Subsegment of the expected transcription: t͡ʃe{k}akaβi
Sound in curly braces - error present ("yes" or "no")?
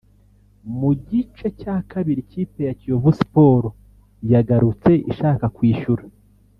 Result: yes